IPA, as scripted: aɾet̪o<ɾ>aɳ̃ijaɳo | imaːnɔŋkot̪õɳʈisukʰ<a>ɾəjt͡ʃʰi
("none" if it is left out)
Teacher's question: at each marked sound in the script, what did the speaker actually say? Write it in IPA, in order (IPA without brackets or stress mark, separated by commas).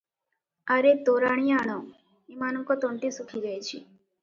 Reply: ɾ, i